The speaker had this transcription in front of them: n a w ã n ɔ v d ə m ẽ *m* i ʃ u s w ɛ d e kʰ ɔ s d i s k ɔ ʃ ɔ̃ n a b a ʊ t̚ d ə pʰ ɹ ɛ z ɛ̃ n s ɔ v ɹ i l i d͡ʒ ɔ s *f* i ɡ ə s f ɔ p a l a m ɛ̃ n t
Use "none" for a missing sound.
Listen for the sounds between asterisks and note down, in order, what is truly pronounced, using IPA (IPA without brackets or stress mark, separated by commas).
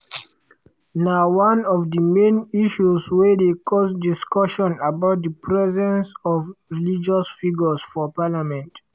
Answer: n, f